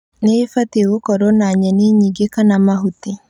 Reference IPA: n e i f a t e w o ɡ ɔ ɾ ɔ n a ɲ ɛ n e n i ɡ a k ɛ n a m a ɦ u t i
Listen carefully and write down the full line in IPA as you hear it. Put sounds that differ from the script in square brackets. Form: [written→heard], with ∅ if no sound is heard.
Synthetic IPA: n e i f a t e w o [ɡ→k] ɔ ɾ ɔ n a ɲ ɛ n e [n→ɲ] i ɡ [a→e] k [ɛ→a] n a m a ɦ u t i